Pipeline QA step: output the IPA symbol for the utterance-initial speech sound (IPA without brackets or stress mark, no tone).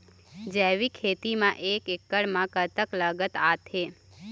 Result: d͡ʒ